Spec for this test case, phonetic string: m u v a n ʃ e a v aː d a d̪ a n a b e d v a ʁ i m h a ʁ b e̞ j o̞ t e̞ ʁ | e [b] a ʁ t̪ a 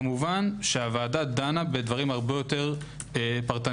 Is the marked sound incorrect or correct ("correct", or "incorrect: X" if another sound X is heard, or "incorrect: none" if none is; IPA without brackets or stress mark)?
incorrect: p